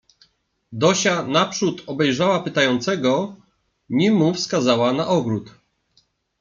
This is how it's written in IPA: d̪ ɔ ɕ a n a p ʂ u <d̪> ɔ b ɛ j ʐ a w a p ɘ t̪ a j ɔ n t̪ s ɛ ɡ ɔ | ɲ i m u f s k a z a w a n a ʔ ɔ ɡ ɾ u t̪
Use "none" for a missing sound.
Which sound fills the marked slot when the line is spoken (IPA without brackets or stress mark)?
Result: t̪